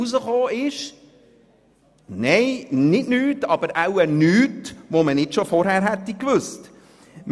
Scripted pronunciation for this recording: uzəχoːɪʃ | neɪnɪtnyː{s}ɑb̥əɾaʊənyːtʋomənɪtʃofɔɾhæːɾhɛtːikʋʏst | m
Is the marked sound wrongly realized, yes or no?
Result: yes